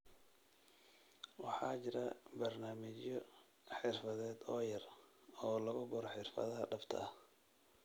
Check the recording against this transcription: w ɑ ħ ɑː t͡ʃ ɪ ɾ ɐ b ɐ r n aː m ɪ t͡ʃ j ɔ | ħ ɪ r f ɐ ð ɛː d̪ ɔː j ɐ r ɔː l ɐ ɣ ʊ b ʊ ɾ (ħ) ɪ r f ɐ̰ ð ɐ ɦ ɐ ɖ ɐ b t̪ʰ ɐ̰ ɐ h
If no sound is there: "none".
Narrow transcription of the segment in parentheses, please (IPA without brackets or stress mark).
ħ